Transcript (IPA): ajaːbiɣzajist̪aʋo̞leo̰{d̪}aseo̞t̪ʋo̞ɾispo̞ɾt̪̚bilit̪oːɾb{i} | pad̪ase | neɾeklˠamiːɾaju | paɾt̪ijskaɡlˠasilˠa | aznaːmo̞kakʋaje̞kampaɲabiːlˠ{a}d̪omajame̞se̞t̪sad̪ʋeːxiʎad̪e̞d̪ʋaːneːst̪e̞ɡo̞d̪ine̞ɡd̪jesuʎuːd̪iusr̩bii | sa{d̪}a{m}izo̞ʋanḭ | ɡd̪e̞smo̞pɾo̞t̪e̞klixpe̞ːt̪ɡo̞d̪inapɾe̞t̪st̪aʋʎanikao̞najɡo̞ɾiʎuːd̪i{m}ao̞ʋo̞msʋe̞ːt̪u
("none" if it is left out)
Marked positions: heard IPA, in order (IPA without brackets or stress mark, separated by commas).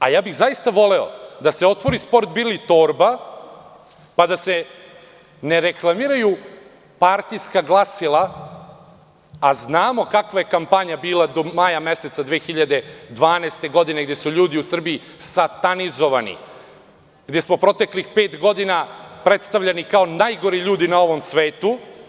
d̪, a, a, t̪, n, n